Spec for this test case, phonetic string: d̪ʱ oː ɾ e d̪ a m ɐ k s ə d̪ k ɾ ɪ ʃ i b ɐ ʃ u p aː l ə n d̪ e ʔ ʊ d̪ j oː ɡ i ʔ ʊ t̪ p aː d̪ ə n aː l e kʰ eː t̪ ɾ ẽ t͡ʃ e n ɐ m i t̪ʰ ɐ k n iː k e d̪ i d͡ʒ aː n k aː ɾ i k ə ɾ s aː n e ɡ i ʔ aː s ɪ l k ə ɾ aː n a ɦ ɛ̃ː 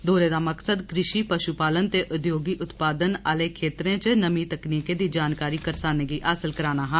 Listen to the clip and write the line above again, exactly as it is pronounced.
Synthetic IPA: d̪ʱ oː ɾ e d̪ a m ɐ k s ə d̪ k ɾ ɪ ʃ i p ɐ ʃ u p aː l ə n t̪ e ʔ ʊ d̪ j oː ɡ i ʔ ʊ t̪ p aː d̪ ə n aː l e kʰ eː t̪ ɾ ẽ t͡ʃ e n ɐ m i t̪ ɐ k n iː k e d̪ i d͡ʒ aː n k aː ɾ i k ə ɾ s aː n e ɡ i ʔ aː s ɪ l k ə ɾ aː n a ɦ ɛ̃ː